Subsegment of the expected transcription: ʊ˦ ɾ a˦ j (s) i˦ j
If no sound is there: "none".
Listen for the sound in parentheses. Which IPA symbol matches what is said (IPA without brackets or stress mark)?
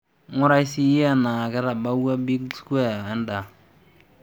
s